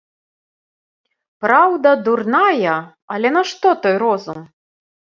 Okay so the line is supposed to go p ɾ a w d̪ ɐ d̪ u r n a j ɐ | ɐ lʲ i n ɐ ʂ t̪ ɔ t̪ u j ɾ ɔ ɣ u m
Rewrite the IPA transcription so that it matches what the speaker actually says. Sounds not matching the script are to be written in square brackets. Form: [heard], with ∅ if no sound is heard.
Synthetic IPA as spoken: p ɾ a w d̪ ɐ d̪ u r n a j ɐ | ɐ lʲ [ɛ] n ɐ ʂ t̪ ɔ t̪ [ɔ] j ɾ ɔ [z] u m